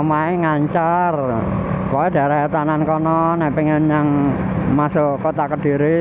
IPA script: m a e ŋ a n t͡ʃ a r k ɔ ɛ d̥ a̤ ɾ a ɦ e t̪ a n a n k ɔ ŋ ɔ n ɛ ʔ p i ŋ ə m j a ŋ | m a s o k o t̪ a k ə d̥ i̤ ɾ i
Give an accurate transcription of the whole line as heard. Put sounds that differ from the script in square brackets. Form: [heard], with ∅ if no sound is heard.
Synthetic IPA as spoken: m a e ŋ a [ɲ] t͡ʃ a r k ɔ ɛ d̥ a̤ ɾ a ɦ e t̪ a n a n k ɔ [n] ɔ n ɛ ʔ p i ŋ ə [n] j a ŋ | m a s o k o t̪ a k ə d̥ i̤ ɾ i